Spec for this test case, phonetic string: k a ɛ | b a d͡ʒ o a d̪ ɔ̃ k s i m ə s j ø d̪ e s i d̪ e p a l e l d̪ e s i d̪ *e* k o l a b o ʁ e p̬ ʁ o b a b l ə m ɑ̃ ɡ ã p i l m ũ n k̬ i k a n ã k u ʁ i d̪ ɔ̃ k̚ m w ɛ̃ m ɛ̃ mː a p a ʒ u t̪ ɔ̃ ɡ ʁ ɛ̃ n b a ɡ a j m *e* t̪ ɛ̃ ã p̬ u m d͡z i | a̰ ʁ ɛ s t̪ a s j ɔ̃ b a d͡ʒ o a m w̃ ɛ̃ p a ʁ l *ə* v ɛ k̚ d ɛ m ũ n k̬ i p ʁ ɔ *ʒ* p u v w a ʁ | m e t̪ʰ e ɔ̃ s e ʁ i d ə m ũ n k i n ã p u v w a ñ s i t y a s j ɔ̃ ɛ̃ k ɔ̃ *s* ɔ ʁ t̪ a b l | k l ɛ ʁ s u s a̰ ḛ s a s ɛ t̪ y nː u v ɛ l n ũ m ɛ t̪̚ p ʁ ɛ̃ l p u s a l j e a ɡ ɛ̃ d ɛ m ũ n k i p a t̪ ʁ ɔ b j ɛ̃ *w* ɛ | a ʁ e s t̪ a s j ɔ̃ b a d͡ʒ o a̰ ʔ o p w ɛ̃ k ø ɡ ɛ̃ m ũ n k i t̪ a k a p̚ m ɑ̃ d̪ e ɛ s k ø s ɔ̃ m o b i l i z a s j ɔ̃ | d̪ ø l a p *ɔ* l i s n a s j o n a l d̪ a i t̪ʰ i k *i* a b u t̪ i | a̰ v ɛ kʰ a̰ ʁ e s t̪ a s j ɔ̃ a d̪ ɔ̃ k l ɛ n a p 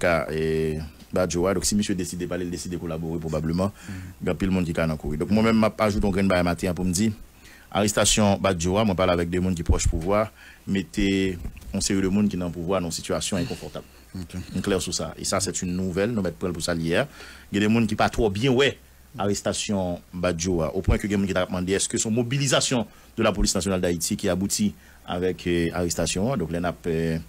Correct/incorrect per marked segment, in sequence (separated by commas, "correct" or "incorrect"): correct, incorrect, incorrect, incorrect, incorrect, correct, incorrect, correct